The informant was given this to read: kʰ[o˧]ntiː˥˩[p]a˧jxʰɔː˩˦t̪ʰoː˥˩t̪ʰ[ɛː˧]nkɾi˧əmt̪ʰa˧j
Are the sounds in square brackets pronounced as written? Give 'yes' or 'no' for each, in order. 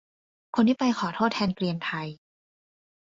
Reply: yes, yes, yes

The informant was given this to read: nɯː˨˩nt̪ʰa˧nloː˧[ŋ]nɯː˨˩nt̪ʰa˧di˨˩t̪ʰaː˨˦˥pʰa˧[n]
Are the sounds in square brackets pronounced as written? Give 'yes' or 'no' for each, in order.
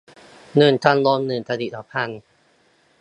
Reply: no, yes

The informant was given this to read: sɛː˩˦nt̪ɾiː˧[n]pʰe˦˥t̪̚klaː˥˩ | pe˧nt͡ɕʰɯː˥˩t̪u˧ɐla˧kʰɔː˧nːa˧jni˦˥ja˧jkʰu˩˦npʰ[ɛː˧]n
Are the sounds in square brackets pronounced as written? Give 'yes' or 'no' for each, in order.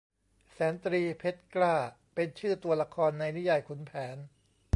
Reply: no, no

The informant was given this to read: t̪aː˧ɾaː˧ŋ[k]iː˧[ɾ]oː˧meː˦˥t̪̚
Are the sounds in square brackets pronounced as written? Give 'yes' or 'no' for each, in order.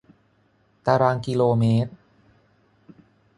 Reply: yes, no

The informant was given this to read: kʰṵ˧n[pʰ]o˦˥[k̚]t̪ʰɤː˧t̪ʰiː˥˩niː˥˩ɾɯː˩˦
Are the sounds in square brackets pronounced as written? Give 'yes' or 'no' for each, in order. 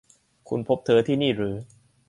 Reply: yes, no

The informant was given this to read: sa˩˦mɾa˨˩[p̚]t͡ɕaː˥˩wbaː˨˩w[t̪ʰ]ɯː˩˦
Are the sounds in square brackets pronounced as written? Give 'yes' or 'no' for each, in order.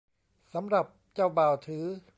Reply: yes, yes

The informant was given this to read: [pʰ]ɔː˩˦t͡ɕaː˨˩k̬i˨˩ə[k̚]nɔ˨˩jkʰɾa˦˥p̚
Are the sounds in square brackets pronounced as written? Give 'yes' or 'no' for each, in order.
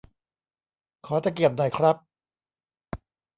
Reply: no, no

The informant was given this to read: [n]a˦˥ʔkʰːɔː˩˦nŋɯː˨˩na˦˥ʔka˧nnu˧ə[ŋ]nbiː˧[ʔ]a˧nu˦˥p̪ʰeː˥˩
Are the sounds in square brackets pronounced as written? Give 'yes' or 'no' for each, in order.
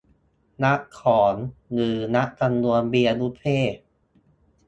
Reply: yes, no, yes

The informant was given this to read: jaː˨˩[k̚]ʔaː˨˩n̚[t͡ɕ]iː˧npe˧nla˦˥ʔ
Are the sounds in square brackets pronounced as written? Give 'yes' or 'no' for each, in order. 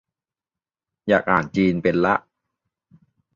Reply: yes, yes

